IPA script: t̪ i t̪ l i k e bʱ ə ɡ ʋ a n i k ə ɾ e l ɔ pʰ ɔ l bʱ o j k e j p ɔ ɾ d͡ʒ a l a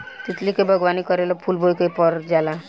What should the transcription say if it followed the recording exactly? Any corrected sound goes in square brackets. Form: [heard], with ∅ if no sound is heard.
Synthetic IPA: t̪ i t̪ l i k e bʱ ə ɡ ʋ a n i k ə ɾ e l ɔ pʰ [u] l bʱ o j k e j p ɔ ɾ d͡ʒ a l a